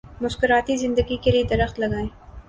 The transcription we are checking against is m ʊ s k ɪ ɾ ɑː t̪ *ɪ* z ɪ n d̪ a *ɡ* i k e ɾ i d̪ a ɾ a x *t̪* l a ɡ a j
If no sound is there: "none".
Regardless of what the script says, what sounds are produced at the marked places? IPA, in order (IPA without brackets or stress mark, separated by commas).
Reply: i, ɡ, t̪